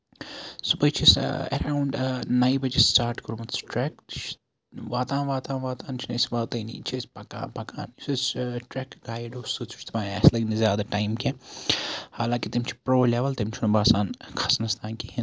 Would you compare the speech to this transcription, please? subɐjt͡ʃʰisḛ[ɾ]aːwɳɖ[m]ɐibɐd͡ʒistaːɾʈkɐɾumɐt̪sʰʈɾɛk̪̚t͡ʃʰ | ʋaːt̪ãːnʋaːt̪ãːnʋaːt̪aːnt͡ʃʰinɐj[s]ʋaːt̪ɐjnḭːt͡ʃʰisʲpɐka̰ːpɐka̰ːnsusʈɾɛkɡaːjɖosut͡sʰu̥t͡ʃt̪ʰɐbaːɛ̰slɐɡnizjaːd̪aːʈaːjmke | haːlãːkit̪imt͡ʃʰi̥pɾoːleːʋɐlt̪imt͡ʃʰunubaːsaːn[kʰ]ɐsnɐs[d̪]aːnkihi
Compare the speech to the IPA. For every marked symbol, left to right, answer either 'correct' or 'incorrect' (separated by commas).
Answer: correct, incorrect, correct, correct, incorrect